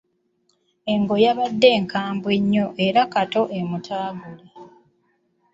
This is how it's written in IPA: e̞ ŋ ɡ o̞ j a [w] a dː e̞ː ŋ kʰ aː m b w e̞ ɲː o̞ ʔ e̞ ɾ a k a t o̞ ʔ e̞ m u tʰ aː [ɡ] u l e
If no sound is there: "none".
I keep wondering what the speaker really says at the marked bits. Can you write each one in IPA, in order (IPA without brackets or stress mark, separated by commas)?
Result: β, ɡ